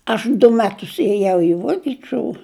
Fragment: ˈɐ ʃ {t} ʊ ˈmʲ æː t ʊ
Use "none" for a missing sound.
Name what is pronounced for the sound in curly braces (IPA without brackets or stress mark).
d